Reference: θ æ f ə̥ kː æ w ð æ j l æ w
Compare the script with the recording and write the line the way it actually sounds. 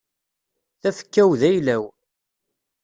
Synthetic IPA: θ æ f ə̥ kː æ w ð æ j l æ w